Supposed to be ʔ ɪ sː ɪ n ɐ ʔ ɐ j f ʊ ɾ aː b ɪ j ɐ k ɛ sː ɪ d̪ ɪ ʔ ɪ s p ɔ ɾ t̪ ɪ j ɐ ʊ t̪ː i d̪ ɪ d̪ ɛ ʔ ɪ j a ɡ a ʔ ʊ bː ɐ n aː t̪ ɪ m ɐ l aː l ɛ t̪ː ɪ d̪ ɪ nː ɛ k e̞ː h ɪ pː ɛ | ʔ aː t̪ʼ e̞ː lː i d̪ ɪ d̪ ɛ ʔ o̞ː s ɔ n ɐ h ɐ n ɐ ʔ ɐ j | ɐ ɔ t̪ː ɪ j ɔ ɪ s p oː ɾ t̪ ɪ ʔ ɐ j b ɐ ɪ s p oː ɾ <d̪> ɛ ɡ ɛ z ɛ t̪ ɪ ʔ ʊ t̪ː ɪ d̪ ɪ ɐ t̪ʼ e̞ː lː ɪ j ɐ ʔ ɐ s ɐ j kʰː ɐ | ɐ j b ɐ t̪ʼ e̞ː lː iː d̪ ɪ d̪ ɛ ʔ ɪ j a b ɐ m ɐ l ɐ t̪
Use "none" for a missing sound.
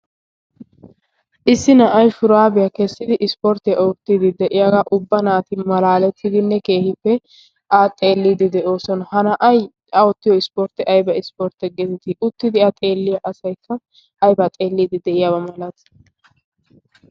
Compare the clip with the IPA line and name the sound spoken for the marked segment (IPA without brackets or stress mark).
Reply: t̪